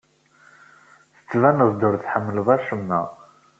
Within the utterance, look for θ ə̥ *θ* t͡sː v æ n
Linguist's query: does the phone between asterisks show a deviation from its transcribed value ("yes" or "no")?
yes